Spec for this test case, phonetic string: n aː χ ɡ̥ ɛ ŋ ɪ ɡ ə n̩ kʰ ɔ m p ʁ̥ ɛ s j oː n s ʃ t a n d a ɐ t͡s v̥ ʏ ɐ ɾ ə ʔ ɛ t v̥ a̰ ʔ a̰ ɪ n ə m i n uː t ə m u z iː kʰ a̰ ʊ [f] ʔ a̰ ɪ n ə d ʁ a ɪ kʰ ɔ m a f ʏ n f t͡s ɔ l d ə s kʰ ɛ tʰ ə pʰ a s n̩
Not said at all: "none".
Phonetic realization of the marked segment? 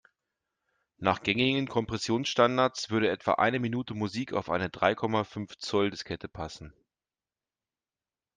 f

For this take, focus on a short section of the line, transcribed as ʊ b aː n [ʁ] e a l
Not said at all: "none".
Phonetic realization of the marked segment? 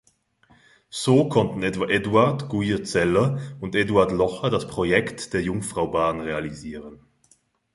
ʁ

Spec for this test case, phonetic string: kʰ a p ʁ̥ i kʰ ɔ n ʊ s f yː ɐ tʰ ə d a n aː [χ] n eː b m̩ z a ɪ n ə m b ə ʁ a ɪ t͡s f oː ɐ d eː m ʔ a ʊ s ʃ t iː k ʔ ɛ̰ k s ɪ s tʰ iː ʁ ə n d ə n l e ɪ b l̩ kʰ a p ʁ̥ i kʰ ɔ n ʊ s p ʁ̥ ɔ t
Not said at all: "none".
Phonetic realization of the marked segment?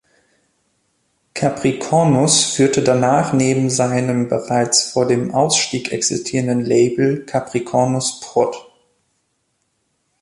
χ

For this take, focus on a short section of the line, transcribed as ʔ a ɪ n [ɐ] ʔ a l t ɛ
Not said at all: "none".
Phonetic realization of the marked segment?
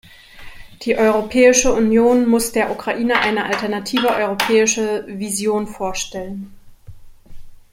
ə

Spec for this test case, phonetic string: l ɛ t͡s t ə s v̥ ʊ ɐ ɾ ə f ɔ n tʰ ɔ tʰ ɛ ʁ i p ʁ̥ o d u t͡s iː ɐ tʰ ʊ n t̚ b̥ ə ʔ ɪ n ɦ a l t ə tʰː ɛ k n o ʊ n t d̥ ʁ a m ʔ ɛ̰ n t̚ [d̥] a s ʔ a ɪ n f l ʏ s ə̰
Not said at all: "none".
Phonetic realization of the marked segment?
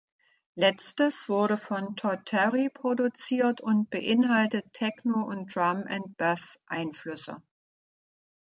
b̥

